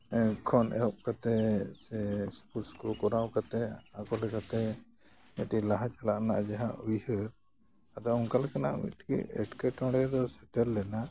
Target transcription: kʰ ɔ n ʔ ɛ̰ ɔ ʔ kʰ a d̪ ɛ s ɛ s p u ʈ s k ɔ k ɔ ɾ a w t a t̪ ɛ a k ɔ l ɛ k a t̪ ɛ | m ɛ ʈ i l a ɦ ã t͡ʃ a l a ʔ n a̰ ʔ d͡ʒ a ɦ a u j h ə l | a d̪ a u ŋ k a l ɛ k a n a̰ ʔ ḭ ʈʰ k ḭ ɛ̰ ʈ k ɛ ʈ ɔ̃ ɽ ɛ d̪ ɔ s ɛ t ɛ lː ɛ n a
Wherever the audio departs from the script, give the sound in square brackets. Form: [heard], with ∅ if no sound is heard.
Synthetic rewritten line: kʰ ɔ n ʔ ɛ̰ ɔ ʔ [k] a [t̪] ɛ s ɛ s p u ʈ s k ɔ k ɔ ɾ a w [k] a t̪ ɛ a k ɔ l ɛ k a t̪ ɛ | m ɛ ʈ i l a ɦ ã t͡ʃ a l a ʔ n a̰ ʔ d͡ʒ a ɦ a u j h ə [ɾ] | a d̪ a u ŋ k a l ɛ k a n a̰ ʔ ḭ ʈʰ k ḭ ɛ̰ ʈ k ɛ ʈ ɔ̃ ɽ ɛ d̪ ɔ s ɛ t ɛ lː ɛ n a